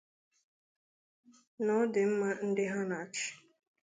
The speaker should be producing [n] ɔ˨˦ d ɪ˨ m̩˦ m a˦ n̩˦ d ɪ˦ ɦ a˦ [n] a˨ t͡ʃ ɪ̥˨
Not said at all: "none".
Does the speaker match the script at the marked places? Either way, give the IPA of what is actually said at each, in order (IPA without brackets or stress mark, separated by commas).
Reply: n, n